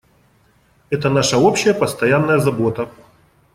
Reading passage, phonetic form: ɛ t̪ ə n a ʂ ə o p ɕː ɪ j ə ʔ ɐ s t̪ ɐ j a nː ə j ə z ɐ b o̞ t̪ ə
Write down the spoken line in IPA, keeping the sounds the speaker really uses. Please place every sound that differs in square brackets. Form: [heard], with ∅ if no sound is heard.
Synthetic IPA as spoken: ɛ t̪ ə n a ʂ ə o p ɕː ɪ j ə [p] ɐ s t̪ ɐ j a nː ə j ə z ɐ b o̞ t̪ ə

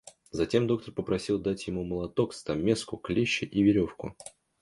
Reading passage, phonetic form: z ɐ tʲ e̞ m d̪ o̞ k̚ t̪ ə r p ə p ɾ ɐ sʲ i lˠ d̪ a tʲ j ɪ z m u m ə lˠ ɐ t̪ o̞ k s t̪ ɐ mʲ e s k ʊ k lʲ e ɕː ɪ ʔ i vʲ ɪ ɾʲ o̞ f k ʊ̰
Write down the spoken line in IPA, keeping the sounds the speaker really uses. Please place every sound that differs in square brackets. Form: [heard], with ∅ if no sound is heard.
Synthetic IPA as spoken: z ɐ tʲ e̞ m d̪ o̞ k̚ t̪ ə r p ə p ɾ ɐ sʲ i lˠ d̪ a tʲ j ɪ [∅] m u m ə lˠ ɐ t̪ o̞ k s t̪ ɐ mʲ e s k ʊ k lʲ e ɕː ɪ ʔ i vʲ ɪ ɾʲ o̞ f k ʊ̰

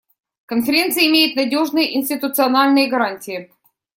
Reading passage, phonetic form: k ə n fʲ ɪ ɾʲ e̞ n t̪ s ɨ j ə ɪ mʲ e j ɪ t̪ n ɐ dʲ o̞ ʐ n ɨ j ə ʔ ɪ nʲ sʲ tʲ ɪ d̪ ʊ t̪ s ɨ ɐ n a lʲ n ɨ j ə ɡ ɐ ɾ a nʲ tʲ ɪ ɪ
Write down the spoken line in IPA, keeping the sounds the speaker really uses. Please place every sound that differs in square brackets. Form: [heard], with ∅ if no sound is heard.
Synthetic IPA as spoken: k ə n fʲ ɪ ɾʲ e̞ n t̪ s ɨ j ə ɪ mʲ e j ɪ t̪ n ɐ dʲ o̞ ʐ n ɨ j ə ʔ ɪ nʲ sʲ tʲ ɪ [t̪] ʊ t̪ s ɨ ɐ n a lʲ n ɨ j ə ɡ ɐ ɾ a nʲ tʲ ɪ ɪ

